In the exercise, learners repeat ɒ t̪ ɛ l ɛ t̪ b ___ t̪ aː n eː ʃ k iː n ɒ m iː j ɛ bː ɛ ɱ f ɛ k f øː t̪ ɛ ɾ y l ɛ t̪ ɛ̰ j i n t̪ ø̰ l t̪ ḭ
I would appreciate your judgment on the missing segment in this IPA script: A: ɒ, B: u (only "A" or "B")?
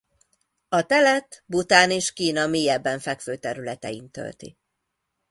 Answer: B